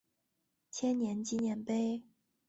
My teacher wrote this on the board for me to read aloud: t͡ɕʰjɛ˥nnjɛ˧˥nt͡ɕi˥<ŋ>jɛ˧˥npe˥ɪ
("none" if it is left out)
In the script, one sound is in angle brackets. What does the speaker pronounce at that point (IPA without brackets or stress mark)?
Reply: n